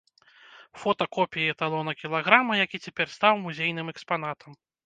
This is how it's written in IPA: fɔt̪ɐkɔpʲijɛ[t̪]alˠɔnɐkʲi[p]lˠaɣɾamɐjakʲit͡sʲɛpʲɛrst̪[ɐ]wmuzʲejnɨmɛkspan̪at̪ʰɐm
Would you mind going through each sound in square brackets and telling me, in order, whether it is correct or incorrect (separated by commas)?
correct, incorrect, incorrect